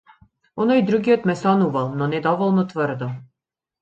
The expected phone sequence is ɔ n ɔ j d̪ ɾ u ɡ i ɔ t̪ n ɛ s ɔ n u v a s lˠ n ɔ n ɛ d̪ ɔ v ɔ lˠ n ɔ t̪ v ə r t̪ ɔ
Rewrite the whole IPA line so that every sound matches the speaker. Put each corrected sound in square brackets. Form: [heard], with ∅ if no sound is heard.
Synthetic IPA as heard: ɔ n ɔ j d̪ ɾ u ɡ i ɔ t̪ [m] ɛ s ɔ n u v a [∅] lˠ n ɔ n ɛ d̪ ɔ v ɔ lˠ n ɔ t̪ v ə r [d̪] ɔ